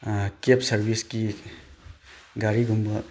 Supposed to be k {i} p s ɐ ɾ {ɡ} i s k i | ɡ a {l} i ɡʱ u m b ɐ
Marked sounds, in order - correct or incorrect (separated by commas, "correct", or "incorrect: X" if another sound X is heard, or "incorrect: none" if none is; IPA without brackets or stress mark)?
incorrect: e, incorrect: b, incorrect: ɾ